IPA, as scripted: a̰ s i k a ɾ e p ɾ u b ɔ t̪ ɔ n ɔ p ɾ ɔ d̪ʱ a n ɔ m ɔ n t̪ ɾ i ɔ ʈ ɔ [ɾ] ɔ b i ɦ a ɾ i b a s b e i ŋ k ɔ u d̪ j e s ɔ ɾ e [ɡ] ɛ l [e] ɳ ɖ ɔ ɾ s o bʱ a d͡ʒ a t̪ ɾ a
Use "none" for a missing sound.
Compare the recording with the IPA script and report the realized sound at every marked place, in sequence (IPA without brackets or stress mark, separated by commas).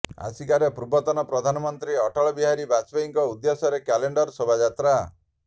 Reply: ɭ, k, e